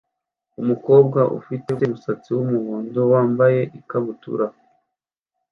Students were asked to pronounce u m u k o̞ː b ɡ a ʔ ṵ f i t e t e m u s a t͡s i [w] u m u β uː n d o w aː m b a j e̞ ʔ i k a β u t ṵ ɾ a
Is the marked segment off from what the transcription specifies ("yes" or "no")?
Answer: no